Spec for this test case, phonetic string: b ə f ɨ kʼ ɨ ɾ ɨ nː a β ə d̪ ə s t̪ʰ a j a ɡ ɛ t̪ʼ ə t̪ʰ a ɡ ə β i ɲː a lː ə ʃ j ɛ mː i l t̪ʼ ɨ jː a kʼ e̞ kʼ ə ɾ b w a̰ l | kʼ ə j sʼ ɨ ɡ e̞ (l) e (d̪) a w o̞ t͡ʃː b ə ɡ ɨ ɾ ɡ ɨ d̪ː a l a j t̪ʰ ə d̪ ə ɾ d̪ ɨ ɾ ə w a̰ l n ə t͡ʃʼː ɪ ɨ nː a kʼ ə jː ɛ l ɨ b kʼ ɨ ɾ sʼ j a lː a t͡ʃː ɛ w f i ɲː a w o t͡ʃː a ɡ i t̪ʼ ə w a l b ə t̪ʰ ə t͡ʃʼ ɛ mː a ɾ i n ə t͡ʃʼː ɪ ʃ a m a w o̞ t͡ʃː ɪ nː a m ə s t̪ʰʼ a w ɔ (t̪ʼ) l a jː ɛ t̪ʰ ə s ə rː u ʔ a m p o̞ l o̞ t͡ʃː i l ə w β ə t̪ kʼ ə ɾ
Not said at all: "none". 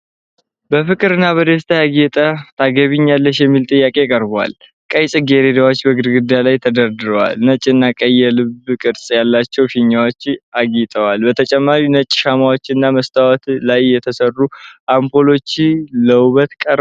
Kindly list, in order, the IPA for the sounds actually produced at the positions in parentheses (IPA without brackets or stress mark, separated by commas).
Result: ɾ, d̪, t̪